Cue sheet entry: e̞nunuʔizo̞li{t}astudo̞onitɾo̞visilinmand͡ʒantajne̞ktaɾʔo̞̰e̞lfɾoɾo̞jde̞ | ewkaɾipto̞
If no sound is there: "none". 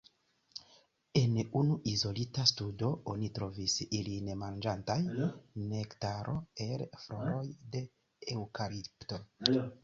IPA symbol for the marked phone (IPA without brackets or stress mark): t